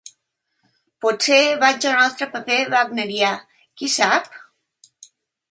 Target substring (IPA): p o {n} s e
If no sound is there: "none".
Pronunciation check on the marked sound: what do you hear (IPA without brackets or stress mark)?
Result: none